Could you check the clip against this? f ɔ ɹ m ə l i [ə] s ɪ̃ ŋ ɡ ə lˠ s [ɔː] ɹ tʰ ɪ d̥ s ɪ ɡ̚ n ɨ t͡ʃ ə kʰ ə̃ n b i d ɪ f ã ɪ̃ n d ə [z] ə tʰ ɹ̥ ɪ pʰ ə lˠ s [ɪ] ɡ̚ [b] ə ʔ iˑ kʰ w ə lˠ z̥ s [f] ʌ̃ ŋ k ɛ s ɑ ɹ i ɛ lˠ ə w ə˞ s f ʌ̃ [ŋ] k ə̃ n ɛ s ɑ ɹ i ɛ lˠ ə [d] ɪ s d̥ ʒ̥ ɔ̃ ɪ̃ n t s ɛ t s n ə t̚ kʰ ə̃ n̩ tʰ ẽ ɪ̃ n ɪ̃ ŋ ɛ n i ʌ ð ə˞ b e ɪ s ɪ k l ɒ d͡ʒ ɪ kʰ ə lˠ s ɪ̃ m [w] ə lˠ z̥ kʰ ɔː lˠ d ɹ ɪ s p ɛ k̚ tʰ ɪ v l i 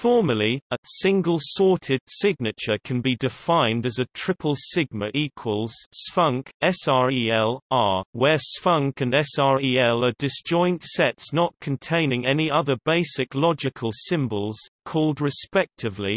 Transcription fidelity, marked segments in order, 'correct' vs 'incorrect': correct, incorrect: ɔ, correct, correct, incorrect: m, correct, correct, correct, incorrect: b

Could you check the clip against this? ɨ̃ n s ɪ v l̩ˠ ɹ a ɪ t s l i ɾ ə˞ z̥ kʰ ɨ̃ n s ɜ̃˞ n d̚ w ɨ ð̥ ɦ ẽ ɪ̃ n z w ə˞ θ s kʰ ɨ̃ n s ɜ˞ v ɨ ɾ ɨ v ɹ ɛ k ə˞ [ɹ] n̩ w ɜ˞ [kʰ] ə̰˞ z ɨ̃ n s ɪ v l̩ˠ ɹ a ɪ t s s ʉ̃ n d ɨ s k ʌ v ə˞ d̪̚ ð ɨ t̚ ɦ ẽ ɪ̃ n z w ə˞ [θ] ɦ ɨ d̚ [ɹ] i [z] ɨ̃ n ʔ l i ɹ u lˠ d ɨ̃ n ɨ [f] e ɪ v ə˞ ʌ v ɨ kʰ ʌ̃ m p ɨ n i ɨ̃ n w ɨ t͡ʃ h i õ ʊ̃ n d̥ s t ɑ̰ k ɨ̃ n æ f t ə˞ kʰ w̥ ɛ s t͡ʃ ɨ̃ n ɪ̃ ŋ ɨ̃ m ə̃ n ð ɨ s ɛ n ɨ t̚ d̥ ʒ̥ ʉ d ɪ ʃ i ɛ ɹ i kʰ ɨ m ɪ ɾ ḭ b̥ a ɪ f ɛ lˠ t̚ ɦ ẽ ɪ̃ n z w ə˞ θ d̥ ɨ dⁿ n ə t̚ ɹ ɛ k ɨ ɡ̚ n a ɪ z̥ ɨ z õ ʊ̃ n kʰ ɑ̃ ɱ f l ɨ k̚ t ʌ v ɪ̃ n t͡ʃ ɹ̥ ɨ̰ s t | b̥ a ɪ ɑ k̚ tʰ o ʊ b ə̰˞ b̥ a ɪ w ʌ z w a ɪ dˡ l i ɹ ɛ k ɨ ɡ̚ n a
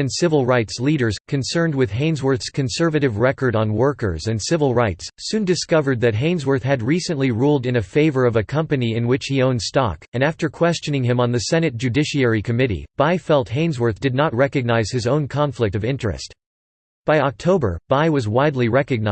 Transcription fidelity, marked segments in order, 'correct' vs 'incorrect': incorrect: ɾ, incorrect: k, correct, correct, incorrect: s, correct

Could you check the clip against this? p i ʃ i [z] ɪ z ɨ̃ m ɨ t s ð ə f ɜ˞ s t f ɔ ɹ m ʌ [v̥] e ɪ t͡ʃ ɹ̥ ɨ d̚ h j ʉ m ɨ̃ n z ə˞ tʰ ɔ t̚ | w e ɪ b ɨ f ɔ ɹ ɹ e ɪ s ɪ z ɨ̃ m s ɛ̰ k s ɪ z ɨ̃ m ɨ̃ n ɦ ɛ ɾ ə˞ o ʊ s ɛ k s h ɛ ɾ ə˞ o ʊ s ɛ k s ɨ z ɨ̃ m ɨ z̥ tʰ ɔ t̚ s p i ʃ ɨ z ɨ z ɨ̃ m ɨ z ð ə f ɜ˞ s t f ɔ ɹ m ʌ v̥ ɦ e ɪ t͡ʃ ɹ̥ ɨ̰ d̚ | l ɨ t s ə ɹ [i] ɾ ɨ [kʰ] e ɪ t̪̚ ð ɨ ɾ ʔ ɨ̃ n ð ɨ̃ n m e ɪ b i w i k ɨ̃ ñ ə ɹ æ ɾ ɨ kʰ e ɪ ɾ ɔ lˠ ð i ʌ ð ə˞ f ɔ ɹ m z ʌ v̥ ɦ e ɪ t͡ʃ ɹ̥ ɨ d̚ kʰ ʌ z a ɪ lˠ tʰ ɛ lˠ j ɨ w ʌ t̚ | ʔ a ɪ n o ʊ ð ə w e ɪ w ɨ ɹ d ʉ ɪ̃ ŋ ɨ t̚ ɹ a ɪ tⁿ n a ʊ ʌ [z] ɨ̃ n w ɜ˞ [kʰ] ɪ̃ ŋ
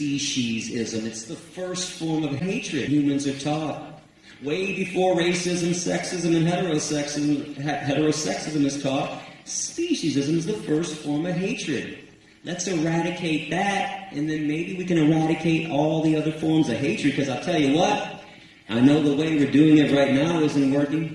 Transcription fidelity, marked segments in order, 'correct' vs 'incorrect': correct, correct, incorrect: æ, correct, correct, incorrect: k

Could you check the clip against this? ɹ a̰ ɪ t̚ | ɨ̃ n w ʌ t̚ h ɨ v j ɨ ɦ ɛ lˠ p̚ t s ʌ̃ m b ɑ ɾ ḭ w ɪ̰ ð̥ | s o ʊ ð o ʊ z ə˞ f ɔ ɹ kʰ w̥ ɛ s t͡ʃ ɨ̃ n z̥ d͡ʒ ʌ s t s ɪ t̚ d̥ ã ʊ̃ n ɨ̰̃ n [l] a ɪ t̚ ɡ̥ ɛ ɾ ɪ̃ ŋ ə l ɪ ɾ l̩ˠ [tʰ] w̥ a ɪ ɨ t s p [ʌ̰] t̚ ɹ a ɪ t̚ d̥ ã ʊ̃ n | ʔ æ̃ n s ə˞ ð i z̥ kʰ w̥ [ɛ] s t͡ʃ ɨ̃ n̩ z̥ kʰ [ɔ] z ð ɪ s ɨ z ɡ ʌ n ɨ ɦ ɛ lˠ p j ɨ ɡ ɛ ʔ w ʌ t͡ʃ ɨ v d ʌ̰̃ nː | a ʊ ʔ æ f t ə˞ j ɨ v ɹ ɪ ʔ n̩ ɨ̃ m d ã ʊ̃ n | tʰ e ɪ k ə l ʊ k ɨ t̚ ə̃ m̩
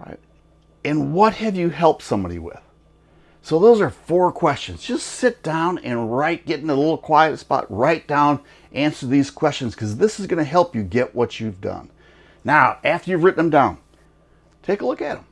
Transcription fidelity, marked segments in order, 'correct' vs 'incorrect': incorrect: ɹ, incorrect: kʰ, incorrect: ɑ̰, correct, incorrect: ʌ

